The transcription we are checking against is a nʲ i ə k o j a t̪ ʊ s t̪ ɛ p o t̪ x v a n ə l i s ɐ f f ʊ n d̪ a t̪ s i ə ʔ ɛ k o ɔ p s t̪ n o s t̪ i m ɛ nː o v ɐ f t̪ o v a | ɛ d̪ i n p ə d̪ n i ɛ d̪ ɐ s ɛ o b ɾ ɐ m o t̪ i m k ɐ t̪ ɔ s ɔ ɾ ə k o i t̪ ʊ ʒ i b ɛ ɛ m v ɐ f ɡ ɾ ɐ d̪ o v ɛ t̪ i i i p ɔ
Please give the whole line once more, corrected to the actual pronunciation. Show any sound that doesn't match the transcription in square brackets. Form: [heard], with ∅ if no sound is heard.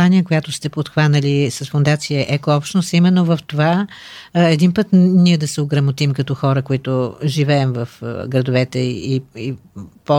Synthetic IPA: a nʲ i ə k o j a t̪ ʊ s t̪ ɛ p o t̪ x v a n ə l i s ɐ [s] f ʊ n d̪ a t̪ s i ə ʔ ɛ k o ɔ p [ʃ] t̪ n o s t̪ i m ɛ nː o v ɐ f t̪ o v a | ɛ d̪ i n p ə [t̪] n i ɛ d̪ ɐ s ɛ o [ɡ] ɾ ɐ m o t̪ i m k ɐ t̪ ɔ [x] ɔ ɾ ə k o i t̪ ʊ ʒ i [v] ɛ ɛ m v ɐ f ɡ ɾ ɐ d̪ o v ɛ t̪ [ɛ] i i p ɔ